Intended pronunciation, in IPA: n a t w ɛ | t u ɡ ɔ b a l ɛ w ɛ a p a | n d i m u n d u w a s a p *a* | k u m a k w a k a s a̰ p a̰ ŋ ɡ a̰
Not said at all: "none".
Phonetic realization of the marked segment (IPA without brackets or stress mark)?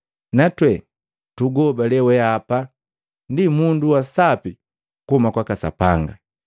i